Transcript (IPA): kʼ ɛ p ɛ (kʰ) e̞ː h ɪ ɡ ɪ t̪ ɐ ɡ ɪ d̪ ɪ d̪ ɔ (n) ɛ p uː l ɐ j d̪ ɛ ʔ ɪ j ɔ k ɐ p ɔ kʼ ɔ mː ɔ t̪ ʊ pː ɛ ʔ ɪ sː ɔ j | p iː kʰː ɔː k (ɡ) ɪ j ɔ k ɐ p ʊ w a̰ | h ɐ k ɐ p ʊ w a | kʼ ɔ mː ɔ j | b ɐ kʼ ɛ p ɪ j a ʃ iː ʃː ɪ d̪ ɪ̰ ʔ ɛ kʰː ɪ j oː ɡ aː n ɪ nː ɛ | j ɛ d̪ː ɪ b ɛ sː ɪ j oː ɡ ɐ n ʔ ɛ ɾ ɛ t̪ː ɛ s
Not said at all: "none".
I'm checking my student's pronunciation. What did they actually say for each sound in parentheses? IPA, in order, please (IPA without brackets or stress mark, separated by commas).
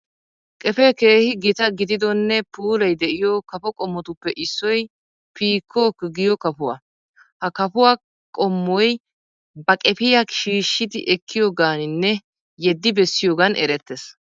k, nː, ɡ